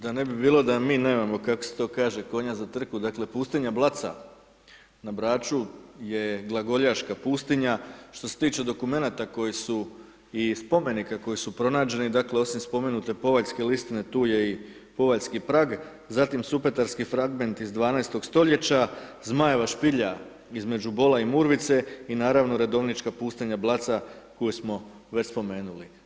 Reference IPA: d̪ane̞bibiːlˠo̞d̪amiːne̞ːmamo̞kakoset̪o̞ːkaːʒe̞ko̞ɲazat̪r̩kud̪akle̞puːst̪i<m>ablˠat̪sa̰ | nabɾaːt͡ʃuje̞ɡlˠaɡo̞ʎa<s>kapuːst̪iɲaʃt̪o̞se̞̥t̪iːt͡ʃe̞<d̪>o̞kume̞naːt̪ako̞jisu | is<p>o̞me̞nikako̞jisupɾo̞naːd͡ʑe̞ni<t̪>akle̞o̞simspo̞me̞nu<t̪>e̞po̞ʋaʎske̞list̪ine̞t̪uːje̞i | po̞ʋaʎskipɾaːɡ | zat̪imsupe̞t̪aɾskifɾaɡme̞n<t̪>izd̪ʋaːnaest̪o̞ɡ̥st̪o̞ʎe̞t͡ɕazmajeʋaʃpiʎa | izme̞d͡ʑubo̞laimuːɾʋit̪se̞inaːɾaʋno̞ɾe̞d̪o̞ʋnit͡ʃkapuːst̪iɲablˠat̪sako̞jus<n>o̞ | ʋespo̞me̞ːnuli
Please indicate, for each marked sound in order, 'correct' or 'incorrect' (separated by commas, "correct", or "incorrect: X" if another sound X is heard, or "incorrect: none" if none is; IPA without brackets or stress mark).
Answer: incorrect: ɲ, incorrect: ʃ, correct, correct, incorrect: d̪, correct, correct, incorrect: m